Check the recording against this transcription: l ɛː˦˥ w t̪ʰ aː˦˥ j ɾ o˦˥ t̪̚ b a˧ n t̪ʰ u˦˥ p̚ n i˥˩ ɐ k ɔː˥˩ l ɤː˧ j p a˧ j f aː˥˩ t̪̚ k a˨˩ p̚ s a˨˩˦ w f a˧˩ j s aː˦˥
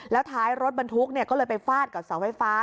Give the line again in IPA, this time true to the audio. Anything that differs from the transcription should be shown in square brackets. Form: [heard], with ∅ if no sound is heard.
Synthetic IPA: l ɛː˦˥ w t̪ʰ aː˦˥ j ɾ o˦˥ t̪̚ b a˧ n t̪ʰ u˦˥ [k̚] n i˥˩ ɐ k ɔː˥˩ l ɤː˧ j p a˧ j f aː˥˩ t̪̚ k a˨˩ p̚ s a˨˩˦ w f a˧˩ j [f] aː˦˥